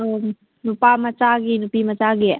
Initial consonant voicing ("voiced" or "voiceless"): voiced